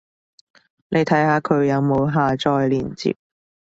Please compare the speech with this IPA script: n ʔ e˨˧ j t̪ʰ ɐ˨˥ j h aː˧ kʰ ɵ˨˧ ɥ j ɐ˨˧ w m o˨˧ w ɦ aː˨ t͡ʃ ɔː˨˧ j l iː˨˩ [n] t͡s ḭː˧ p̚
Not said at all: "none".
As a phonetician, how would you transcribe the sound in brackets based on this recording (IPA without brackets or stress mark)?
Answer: n